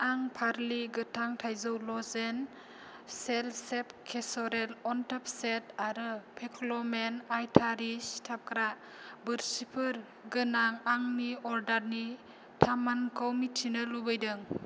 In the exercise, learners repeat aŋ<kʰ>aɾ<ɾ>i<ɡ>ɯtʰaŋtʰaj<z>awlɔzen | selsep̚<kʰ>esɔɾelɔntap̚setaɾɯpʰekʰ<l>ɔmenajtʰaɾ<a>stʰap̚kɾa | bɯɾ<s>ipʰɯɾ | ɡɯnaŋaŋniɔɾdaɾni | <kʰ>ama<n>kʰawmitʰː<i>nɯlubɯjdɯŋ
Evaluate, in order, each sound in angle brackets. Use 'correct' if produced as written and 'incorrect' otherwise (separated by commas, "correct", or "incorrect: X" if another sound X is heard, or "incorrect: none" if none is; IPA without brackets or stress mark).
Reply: incorrect: pʰ, incorrect: l, correct, correct, correct, correct, incorrect: i, correct, incorrect: tʰ, correct, correct